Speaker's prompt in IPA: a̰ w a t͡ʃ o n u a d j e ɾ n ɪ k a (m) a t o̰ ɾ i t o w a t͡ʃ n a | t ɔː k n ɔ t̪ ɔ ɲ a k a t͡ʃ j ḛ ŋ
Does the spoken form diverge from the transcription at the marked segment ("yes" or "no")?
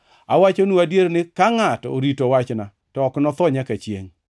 yes